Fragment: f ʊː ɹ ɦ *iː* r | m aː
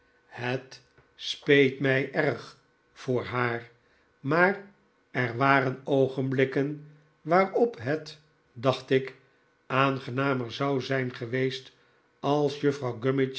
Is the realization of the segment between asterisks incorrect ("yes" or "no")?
yes